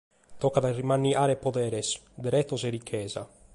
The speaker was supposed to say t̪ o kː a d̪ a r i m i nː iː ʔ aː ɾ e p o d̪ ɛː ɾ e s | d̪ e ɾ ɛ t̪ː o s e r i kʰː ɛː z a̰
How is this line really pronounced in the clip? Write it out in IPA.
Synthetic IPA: t̪ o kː a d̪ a r i m a nː i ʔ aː ɾ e p o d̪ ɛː ɾ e s | d̪ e ɾ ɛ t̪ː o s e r i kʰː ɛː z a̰